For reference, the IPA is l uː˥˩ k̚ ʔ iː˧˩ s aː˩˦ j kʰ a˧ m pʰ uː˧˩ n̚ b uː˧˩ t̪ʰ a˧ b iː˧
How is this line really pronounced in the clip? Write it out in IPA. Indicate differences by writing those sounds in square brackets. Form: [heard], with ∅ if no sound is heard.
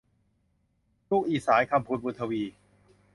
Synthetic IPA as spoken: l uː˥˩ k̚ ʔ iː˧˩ s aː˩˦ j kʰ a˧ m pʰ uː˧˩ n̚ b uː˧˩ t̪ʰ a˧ [w] iː˧